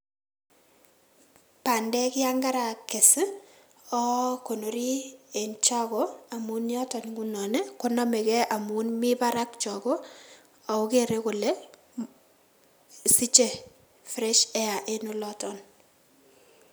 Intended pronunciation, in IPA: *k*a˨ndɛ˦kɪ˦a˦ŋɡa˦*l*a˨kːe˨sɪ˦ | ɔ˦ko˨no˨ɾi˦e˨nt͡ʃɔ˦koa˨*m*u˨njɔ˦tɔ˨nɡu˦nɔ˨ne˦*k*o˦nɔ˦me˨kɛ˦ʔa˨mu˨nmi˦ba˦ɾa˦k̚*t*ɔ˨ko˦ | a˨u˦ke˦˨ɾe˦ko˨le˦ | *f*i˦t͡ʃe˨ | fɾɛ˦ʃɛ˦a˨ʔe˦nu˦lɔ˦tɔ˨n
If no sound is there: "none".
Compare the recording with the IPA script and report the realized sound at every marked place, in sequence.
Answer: p, ɾ, m, k, t͡ʃ, s

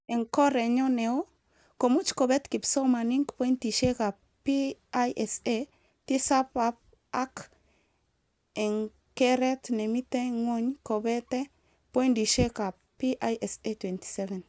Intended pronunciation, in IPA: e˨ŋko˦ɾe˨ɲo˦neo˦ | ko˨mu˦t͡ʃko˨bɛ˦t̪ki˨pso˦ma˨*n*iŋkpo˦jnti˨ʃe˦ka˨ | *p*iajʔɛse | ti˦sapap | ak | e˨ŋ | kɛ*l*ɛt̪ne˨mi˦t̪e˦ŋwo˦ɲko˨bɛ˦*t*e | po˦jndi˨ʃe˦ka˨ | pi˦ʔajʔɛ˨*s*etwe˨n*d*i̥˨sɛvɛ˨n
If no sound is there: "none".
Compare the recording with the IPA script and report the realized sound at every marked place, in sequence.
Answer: n, p, ɾ, t, s, t

